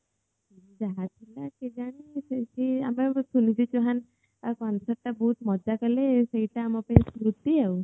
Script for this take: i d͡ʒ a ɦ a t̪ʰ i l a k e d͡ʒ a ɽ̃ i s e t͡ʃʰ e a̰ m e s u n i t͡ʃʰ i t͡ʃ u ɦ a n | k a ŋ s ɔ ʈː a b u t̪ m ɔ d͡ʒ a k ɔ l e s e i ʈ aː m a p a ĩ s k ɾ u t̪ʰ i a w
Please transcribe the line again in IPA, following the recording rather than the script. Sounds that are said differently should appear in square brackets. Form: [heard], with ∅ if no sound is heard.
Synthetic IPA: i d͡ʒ a ɦ a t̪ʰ i l a k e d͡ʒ a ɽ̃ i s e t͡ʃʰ [i] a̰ m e s u n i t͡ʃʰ i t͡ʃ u ɦ a n | k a [n] s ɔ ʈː a b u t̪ m ɔ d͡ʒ a k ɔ l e s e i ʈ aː m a p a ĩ s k ɾ u [t̪] i a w